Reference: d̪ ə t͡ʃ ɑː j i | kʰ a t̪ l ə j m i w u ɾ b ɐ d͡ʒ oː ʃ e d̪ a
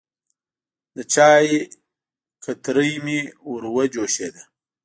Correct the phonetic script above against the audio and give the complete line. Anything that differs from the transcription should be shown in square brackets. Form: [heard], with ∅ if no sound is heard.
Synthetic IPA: d̪ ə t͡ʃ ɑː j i | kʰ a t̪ [ɾ] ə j m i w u ɾ [w] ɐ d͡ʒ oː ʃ e d̪ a